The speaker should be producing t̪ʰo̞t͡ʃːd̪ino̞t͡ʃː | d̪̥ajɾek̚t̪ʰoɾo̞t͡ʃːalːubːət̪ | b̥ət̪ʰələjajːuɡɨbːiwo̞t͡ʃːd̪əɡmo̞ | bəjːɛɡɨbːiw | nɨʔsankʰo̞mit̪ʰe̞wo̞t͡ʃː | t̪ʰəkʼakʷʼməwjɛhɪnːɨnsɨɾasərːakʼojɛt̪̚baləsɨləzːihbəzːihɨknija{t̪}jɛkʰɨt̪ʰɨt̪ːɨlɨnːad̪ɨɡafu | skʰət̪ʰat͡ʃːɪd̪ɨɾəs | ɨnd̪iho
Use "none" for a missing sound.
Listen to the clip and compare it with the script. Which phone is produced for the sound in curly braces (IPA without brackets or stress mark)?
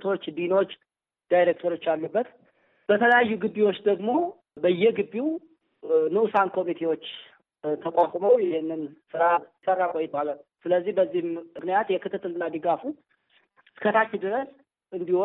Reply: t̪